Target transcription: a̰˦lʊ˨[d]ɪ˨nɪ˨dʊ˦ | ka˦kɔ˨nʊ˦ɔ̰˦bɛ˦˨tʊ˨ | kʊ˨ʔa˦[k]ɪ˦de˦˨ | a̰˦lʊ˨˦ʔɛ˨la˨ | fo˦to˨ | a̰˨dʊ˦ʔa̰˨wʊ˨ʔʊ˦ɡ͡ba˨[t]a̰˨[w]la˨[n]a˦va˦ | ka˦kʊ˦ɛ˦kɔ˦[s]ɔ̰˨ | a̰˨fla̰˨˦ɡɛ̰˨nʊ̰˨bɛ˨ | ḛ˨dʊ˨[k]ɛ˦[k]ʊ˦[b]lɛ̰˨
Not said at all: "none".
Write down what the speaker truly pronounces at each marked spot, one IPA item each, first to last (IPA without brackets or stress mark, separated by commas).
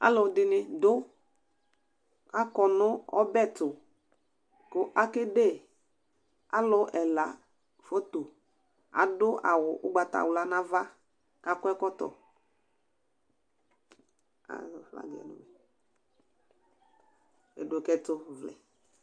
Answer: d, k, t, w, n, t, k, t, v